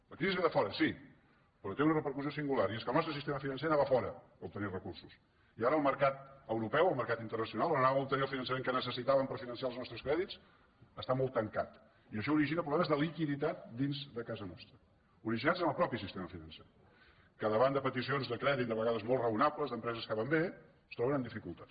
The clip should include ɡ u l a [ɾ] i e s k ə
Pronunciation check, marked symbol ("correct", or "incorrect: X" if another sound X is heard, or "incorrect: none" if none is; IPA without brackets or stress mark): correct